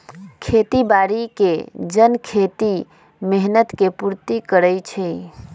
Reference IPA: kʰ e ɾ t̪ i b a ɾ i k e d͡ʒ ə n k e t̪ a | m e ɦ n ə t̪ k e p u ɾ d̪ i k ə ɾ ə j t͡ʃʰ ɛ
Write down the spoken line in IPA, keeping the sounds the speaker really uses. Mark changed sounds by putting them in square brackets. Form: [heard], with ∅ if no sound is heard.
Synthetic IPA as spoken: kʰ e [∅] t̪ i b a ɾ i k e d͡ʒ ə n [kʰ] e t̪ [i] | m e ɦ n ə t̪ k e p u ɾ [t̪] i k ə ɾ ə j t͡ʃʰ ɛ